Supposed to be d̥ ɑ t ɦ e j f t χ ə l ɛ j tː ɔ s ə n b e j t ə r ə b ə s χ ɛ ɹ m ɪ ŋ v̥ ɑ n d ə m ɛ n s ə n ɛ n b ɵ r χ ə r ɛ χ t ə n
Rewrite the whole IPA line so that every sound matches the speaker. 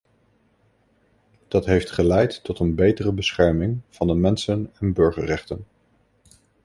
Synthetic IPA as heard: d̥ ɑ t ɦ e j f t χ ə l ɛ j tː ɔ t ə n b e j t ə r ə b ə s χ ɛ ɹ m ɪ ŋ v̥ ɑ n d ə m ɛ n s ə n ɛ n b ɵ ɹ χ ə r ɛ χ t ə n